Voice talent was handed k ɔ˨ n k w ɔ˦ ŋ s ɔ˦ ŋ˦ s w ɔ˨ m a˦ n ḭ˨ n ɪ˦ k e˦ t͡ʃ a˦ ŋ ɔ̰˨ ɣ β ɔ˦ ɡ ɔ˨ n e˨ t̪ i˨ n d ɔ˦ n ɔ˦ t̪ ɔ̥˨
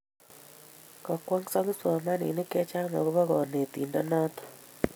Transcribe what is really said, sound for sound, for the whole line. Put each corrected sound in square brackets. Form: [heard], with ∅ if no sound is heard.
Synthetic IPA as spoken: k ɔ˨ [∅] k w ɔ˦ ŋ s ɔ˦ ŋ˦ s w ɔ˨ m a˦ n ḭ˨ n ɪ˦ k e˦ t͡ʃ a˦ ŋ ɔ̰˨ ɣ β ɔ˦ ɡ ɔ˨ n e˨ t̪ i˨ n d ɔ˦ n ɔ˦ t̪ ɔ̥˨